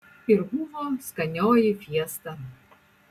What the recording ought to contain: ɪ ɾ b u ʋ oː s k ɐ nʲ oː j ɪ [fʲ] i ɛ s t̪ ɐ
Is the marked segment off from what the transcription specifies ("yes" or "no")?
no